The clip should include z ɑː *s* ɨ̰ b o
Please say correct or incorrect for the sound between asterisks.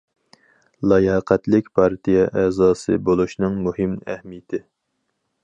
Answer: correct